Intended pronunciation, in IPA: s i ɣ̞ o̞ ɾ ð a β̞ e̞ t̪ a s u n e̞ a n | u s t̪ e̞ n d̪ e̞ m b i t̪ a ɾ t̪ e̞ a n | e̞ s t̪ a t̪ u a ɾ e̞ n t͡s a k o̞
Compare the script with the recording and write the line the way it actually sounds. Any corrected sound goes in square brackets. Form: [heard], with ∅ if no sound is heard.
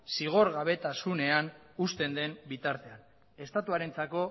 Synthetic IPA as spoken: s i ɣ̞ o̞ ɾ [ɣ] a β̞ e̞ t̪ a s u n e̞ a n | u s t̪ e̞ n d̪ e̞ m b i t̪ a ɾ t̪ e̞ a n | e̞ s t̪ a t̪ u a ɾ e̞ n t͡s a k o̞